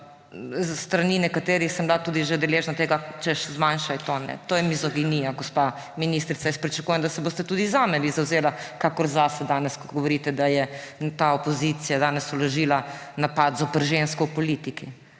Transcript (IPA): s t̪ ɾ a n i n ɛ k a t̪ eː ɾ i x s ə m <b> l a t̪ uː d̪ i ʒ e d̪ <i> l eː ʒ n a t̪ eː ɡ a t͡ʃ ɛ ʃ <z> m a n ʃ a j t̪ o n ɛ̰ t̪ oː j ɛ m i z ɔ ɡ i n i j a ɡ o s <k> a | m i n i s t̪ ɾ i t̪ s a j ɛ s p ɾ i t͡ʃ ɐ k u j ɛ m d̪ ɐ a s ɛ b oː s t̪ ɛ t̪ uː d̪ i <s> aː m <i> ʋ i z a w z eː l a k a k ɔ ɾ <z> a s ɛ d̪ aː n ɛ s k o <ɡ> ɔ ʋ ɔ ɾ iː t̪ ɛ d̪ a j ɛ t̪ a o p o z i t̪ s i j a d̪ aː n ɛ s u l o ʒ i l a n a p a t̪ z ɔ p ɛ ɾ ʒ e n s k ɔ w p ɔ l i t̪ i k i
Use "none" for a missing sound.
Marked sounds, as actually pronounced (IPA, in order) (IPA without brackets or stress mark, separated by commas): b, ɛ, z, p, z, ɛ, z, ɡ